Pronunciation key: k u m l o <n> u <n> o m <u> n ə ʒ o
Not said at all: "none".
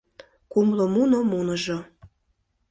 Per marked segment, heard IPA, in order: m, n, u

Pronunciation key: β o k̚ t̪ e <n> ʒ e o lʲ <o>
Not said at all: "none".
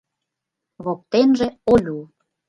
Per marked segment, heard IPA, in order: n, u

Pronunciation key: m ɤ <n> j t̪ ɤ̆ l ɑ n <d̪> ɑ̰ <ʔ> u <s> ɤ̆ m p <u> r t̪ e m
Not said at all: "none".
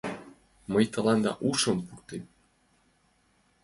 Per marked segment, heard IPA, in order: none, d̪, ʔ, ʃ, u

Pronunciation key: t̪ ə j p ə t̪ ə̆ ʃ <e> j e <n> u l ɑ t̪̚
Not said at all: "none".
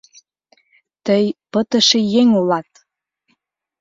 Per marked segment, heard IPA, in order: e, ŋ

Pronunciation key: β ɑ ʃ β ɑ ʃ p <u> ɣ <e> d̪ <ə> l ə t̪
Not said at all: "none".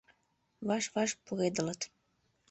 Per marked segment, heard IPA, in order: u, e, ə

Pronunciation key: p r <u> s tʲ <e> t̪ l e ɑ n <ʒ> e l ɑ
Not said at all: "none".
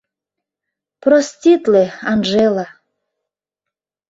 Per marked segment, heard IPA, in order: o, i, ʒ

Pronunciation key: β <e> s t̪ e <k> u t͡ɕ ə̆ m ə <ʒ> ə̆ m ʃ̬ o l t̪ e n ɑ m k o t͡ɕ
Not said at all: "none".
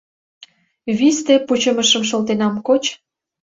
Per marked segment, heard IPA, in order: i, p, ʃ

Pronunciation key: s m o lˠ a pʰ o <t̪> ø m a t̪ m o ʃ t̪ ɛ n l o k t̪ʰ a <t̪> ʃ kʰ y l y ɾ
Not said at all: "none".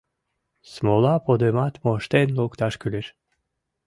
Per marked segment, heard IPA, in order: d̪, none

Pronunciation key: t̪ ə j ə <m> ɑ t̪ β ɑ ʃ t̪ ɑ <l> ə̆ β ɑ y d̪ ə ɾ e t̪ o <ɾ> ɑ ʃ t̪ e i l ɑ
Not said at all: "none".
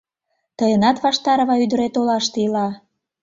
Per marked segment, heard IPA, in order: n, ɾ, l

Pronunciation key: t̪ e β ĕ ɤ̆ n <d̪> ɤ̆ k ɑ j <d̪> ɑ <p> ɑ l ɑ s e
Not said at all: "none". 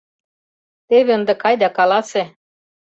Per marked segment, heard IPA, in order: d̪, d̪, k

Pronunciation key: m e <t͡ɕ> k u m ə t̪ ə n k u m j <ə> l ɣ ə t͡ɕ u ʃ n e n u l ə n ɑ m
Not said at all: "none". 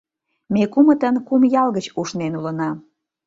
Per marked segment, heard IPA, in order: none, ɑ

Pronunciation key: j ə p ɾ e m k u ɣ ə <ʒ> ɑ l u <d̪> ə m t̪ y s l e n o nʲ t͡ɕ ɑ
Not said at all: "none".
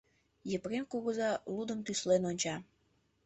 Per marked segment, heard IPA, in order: z, d̪

